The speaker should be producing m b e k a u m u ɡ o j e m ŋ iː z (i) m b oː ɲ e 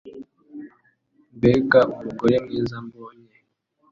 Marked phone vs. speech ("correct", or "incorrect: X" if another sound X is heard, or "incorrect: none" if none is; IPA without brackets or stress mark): incorrect: a